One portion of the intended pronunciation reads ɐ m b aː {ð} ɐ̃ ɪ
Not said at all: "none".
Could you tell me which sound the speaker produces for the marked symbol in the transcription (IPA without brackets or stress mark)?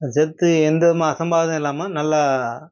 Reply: ð